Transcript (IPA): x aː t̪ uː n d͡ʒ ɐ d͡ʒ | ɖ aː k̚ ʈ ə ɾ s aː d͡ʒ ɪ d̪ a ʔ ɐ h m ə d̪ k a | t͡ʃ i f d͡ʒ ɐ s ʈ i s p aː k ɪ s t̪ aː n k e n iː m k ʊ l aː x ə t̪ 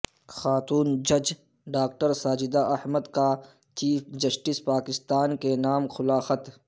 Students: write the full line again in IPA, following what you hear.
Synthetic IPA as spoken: x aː t̪ uː n d͡ʒ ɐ d͡ʒ | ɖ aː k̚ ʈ ə ɾ s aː d͡ʒ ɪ d̪ a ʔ ɐ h m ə d̪ k a | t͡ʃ iː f d͡ʒ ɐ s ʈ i s p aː k ɪ s t̪ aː n k e n aː m x ʊ l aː x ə t̪